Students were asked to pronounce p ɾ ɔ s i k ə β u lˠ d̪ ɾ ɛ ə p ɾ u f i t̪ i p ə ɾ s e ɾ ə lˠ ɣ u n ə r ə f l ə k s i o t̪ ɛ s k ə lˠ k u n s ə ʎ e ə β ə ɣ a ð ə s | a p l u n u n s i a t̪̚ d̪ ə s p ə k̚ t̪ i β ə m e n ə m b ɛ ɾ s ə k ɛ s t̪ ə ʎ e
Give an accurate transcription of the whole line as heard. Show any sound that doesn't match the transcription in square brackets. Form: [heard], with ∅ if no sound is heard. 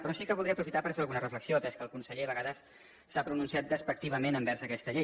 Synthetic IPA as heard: p ɾ ɔ s i k ə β u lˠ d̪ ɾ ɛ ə p ɾ u f i t̪ [a] p ə ɾ [f] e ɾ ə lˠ ɣ u n ə r ə f l ə k s i o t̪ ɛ s k ə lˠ k u n s ə ʎ e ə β ə ɣ a ð ə [sː] | a p [ɾ] u n u n s i a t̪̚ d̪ ə s p ə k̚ t̪ i β ə m e n ə m b ɛ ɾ s ə k ɛ s t̪ ə ʎ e